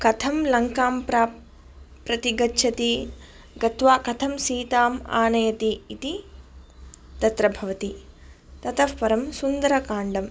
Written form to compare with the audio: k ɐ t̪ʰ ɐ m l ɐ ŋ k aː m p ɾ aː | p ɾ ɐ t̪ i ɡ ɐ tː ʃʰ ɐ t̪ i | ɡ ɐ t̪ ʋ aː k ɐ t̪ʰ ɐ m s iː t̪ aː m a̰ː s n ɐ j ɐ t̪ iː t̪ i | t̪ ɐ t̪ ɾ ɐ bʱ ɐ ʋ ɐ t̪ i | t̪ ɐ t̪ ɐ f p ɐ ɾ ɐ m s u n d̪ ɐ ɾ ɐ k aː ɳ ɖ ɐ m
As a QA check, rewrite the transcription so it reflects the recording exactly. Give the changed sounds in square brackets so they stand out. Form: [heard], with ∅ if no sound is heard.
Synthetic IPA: k ɐ t̪ʰ ɐ m l ɐ ŋ k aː m p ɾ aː | p ɾ ɐ t̪ i ɡ ɐ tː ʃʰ ɐ t̪ i | ɡ ɐ t̪ ʋ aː k ɐ t̪ʰ ɐ m s iː t̪ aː m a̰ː [∅] n ɐ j ɐ t̪ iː t̪ i | t̪ ɐ t̪ ɾ ɐ bʱ ɐ ʋ ɐ t̪ i | t̪ ɐ t̪ ɐ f p ɐ ɾ ɐ m s u n d̪ ɐ ɾ ɐ k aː ɳ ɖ ɐ m